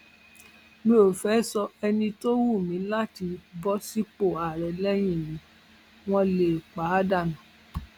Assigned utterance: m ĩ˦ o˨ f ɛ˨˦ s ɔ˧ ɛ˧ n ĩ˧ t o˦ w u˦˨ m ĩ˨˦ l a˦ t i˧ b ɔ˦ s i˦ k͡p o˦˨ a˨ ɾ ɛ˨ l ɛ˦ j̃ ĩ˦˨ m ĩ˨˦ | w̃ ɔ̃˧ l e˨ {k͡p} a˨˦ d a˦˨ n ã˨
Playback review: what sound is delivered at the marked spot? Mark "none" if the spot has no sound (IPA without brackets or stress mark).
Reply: k͡p